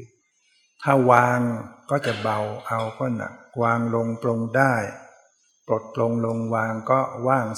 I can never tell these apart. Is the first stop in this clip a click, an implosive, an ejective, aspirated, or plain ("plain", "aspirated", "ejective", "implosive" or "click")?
aspirated